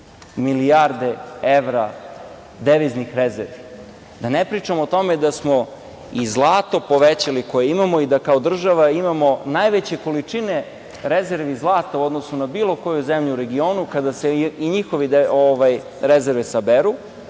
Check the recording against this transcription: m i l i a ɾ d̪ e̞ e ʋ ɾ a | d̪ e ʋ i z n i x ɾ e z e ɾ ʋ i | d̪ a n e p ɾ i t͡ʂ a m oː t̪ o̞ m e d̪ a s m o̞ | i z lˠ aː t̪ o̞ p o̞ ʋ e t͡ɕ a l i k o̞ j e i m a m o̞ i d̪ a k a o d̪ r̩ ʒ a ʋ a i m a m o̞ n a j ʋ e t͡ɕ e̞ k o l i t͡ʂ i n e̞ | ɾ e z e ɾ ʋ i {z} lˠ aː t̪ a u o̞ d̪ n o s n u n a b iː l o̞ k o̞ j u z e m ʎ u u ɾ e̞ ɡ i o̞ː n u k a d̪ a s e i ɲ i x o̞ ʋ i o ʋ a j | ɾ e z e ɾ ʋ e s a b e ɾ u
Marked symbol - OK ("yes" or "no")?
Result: yes